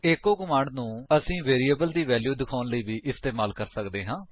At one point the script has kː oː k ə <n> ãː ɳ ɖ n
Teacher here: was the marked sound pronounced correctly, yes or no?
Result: no